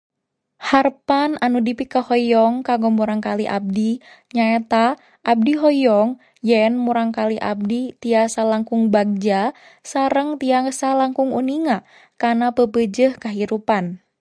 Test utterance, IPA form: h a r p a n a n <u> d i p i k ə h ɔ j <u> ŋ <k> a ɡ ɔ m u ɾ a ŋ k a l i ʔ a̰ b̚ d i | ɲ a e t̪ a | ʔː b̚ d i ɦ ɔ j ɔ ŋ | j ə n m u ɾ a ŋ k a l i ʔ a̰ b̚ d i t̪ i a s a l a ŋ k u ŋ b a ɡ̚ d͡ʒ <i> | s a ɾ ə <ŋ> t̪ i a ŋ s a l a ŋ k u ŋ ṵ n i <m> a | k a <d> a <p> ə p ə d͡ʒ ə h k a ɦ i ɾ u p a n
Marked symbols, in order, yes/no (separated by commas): yes, no, yes, no, yes, no, no, yes